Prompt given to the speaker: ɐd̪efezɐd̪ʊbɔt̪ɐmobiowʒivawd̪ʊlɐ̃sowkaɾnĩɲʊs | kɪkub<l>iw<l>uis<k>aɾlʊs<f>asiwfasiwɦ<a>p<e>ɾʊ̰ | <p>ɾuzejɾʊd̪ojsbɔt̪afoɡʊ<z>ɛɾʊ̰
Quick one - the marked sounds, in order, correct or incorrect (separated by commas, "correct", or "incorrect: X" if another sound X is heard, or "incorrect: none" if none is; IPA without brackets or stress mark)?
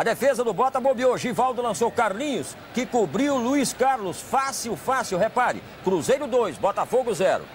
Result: incorrect: ɾ, correct, correct, correct, incorrect: e, incorrect: a, incorrect: k, correct